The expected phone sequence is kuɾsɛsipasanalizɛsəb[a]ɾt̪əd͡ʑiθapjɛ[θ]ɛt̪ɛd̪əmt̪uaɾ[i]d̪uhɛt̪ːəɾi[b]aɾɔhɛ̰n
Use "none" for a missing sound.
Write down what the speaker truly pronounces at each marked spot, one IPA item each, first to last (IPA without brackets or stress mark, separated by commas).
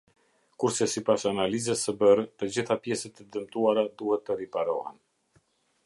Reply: ə, s, a, p